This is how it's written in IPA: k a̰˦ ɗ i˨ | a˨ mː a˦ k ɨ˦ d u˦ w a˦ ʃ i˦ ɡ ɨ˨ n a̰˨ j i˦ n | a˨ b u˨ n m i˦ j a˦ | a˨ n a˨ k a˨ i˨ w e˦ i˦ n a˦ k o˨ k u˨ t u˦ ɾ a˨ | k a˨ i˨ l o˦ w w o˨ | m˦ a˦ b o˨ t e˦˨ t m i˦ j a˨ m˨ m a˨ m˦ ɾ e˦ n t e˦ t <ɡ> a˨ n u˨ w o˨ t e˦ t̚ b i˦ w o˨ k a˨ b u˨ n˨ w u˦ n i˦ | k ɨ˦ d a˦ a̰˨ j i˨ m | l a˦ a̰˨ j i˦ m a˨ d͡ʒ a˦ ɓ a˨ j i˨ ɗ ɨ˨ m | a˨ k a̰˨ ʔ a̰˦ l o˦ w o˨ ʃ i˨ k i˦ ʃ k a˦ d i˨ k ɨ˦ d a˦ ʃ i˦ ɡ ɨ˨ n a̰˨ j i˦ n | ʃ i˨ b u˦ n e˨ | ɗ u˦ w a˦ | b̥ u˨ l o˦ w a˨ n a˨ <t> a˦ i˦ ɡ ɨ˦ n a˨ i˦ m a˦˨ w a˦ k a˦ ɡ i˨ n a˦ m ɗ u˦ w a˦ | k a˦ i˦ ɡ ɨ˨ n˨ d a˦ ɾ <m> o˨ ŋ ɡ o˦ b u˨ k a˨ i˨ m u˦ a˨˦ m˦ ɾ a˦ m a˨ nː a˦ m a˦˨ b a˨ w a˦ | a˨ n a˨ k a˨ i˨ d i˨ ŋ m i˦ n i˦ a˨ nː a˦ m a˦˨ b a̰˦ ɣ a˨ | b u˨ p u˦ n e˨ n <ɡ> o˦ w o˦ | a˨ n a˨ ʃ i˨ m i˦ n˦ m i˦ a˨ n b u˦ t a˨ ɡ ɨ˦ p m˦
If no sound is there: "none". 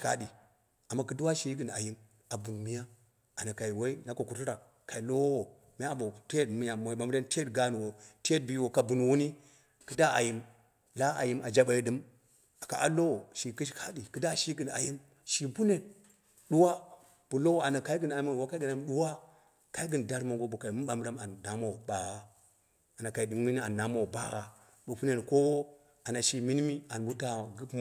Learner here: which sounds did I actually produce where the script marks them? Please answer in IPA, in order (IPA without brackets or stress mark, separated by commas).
ɡ, k, m, k